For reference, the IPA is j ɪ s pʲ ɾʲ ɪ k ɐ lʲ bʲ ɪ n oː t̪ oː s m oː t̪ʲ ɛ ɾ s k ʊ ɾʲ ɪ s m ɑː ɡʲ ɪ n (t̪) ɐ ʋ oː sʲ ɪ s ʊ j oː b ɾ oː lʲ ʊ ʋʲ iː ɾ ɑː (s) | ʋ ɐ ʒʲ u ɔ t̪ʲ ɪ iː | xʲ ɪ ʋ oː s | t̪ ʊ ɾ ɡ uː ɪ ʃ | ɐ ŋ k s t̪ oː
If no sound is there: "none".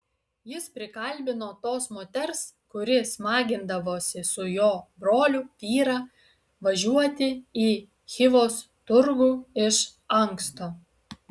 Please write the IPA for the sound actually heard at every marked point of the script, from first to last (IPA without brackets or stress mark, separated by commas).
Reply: d̪, none